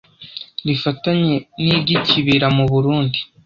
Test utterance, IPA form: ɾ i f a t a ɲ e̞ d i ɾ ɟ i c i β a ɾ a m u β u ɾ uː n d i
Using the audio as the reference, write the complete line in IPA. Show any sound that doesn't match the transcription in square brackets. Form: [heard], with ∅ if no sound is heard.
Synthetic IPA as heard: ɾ i f a t a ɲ e̞ [n] i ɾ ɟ i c i β [i] ɾ a m u β u ɾ uː n d i

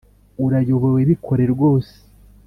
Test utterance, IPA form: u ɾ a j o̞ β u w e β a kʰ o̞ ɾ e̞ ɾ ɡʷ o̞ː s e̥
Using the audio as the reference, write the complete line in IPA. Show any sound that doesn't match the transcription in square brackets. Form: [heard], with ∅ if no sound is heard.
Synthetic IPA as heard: u ɾ a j o̞ β [o] w e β [i] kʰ o̞ ɾ e̞ ɾ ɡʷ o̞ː s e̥

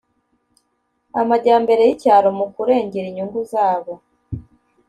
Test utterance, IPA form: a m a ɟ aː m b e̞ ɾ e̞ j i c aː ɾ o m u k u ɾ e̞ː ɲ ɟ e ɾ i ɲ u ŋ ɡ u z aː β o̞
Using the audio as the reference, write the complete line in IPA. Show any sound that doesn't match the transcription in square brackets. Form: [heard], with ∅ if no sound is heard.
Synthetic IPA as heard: a m a ɟ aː m b e̞ ɾ e̞ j i c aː ɾ o m u k u ɾ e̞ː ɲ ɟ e ɾ i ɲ u ŋ ɡ u z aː β o̞

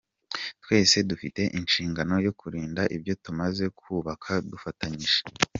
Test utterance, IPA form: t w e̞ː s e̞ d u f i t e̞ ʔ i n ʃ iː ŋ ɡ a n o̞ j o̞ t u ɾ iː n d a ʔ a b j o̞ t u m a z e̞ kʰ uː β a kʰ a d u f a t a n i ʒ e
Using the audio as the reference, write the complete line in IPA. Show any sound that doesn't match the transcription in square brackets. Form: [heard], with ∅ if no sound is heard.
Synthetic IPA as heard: t w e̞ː s e̞ d u f i t e̞ ʔ i n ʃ iː ŋ ɡ a n o̞ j o̞ [k] u ɾ iː n d a ʔ [i] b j o̞ t u m a z e̞ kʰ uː β a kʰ a d u f a t a [ɲ] i ʒ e

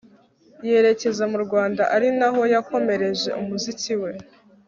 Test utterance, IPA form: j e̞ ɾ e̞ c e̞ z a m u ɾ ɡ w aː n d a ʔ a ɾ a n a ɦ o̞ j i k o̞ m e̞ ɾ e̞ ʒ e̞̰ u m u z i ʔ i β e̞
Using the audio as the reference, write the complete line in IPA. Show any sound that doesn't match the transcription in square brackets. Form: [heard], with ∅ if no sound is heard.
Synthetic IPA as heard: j e̞ ɾ e̞ c e̞ z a m u ɾ ɡ w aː n d a ʔ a ɾ [i] n a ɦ o̞ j [a] k o̞ m e̞ ɾ e̞ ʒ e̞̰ u m u z i [c] i [w] e̞

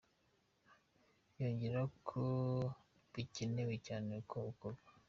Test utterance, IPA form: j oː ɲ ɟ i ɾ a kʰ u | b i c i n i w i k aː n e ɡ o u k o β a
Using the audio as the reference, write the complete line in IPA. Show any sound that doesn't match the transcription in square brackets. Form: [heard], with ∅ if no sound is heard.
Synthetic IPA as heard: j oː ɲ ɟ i ɾ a kʰ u | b i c i n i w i [c] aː n e [k] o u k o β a

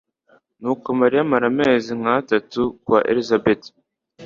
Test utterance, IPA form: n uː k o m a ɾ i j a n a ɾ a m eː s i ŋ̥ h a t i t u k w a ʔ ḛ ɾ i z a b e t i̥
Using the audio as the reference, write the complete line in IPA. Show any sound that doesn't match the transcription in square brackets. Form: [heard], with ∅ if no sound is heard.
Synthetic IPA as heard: n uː k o m a ɾ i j a [m] a ɾ a m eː [z] i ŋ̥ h a t [a] t u k w a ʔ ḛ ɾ i z a b e t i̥

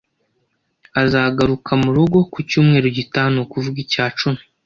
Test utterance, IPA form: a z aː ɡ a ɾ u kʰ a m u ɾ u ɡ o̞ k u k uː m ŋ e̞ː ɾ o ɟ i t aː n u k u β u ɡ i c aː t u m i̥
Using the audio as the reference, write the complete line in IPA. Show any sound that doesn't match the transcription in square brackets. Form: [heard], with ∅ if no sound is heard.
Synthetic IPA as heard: a z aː ɡ a ɾ u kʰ a m u ɾ u ɡ o̞ k u [c] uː m ŋ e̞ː ɾ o ɟ i t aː n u k u [v] u ɡ i c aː [t͡ʃ] u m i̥

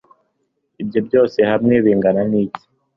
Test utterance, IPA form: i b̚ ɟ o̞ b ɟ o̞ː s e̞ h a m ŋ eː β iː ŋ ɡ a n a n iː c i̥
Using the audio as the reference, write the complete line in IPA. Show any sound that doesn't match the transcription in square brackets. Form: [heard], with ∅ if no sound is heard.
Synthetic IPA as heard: i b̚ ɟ o̞ b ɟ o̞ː s e̞ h a m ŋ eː β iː ŋ ɡ a n a n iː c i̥

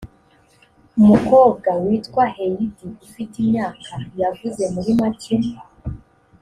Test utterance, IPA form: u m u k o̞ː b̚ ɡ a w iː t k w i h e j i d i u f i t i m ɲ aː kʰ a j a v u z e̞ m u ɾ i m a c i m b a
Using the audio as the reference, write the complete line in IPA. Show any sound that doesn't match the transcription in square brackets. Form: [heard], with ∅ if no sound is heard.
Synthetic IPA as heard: u m u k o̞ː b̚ ɡ a w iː t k w [a] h e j i d i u f i t i m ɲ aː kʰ a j a v u z e̞ m u ɾ i m a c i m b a

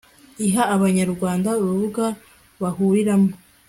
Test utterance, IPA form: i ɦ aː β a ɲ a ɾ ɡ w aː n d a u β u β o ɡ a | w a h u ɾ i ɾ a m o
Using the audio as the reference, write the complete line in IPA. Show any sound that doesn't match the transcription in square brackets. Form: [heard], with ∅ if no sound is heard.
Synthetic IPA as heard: i ɦ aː β a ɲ a ɾ ɡ w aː n d a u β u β [u] ɡ a | [β] a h u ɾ i ɾ a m o

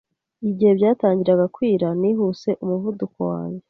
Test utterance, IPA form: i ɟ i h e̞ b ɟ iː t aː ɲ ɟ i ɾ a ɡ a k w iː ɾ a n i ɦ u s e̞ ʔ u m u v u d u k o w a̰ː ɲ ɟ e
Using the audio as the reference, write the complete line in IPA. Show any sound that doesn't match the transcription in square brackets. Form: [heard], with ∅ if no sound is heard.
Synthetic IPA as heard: i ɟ i h e̞ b ɟ [aː] t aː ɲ ɟ i ɾ a ɡ a k w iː ɾ a n i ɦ u s e̞ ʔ u m u v u d u k o w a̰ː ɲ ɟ e

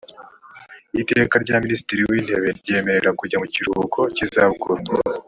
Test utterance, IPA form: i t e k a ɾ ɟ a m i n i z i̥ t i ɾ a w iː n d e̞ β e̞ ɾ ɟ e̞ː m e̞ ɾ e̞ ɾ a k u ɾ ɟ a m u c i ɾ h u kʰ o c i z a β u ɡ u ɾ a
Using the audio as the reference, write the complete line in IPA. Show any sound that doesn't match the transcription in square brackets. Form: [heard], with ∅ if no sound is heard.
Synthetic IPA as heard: i t e k a ɾ ɟ a m i n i [s] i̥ t i ɾ [i] w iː n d e̞ β e̞ ɾ ɟ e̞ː m e̞ ɾ e̞ ɾ a k u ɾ ɟ a m u c i ɾ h u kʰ o c i z a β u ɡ u ɾ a

